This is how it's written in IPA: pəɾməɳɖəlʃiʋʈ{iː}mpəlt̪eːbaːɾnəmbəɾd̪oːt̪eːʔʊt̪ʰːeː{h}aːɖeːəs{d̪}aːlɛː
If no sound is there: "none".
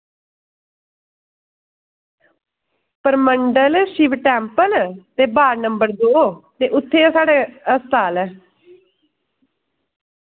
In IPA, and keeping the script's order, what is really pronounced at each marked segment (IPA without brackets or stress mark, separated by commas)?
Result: ɛː, s, t̪